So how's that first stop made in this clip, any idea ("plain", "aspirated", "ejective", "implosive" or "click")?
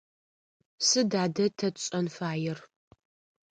plain